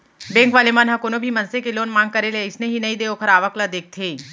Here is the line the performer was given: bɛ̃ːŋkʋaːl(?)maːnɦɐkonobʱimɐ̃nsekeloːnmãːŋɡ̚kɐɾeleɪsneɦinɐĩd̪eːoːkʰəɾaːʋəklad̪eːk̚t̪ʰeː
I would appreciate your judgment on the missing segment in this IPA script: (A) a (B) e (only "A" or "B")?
B